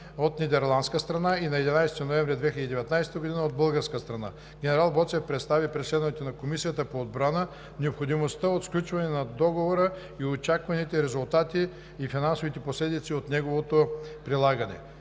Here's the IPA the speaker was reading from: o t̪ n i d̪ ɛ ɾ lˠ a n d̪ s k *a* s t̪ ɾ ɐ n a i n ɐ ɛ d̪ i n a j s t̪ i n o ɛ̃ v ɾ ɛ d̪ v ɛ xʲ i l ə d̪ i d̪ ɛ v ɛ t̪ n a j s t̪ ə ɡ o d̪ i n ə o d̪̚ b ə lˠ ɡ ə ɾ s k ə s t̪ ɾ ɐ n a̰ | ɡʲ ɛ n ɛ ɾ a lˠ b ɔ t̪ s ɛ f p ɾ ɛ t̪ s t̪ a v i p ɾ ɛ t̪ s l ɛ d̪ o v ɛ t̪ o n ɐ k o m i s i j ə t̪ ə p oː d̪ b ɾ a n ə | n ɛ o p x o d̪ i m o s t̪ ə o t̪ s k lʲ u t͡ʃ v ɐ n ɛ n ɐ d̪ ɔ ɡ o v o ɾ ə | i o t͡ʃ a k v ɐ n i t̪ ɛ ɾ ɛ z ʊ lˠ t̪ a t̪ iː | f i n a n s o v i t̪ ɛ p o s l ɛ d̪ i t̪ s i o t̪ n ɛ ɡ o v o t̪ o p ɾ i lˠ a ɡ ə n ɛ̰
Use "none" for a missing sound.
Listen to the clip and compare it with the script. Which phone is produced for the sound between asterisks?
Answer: ə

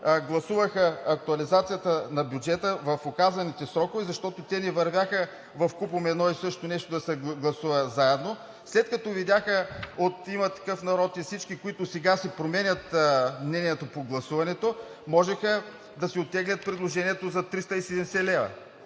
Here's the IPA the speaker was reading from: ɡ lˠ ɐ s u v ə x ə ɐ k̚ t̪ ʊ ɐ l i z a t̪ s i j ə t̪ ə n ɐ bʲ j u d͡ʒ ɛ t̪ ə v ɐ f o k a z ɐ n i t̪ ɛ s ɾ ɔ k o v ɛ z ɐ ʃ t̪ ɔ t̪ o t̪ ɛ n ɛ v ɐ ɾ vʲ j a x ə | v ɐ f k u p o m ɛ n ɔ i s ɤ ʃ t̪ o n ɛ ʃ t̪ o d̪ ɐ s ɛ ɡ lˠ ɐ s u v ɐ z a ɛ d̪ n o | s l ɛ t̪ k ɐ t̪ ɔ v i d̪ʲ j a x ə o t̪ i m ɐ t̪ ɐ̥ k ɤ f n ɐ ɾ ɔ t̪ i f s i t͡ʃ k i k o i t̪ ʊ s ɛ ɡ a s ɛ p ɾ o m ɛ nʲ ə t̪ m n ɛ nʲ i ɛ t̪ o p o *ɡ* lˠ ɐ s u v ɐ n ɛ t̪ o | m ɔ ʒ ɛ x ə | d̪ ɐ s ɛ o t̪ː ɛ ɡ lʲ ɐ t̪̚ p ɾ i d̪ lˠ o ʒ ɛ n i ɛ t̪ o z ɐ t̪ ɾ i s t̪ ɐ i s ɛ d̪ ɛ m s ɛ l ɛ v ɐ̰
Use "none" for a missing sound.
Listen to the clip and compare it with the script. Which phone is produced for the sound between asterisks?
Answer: ɡ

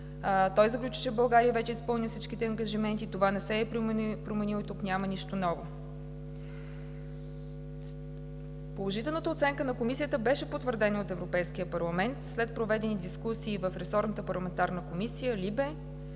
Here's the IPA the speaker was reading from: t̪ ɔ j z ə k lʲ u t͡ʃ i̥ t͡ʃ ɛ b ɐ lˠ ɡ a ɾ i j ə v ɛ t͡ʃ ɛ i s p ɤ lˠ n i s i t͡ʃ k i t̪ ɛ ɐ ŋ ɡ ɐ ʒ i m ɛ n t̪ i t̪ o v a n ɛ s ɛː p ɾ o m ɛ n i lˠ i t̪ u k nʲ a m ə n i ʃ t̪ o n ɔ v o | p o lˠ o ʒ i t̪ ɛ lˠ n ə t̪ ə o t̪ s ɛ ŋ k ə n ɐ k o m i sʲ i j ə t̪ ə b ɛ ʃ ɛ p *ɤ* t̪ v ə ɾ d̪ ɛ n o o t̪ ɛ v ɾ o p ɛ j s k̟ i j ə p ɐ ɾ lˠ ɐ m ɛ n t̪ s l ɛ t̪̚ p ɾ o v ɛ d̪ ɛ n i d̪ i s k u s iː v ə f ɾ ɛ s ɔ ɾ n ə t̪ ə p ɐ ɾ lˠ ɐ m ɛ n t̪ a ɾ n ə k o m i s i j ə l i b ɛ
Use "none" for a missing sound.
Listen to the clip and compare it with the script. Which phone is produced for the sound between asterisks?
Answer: o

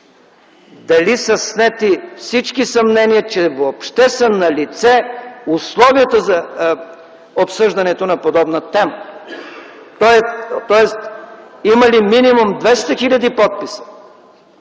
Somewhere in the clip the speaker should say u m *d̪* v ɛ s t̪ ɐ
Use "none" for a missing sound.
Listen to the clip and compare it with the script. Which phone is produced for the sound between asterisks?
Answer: d̪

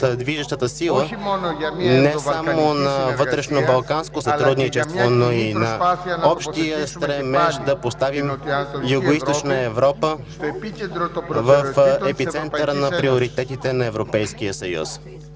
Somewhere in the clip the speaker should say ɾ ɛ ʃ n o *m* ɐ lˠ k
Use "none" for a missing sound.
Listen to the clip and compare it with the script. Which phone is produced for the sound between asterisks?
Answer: b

